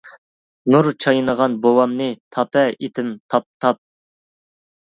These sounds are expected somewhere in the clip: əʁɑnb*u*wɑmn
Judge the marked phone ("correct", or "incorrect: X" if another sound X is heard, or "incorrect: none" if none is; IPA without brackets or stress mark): incorrect: o